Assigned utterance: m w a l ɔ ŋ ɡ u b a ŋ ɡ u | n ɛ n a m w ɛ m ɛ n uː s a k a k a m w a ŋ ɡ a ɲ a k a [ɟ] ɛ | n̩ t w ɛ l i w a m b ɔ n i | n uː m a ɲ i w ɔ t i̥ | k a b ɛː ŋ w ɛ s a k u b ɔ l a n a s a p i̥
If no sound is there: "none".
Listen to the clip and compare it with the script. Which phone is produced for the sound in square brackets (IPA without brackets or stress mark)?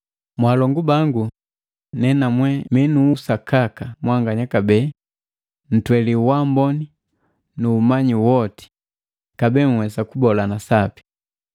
b